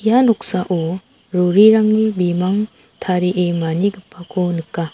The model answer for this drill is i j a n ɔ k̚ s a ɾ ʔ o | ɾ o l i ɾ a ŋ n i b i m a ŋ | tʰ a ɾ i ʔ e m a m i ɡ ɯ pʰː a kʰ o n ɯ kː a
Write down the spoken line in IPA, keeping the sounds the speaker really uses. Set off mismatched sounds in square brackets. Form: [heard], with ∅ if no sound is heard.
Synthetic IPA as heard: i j a n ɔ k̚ s a [∅] ʔ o | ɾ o [ɾ] i ɾ a ŋ n i b i m a ŋ | tʰ a ɾ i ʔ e m a [n] i ɡ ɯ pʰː a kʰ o n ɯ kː a